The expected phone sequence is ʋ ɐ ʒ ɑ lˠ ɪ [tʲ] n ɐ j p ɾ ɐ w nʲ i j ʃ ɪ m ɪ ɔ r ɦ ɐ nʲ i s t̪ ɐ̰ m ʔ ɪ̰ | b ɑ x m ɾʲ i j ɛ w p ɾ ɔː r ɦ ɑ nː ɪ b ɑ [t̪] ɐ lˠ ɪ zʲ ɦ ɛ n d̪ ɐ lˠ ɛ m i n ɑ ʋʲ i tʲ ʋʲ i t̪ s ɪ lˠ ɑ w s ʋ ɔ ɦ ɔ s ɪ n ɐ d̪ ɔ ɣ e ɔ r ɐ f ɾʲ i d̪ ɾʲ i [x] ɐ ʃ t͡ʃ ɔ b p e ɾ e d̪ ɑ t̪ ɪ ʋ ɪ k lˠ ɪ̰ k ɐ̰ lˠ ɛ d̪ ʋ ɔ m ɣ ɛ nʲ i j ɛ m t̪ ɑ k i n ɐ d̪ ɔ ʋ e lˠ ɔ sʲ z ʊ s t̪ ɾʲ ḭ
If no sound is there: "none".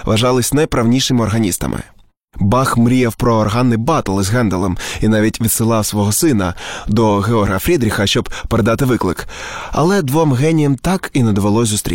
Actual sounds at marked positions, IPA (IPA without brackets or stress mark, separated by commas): sʲ, t̪, x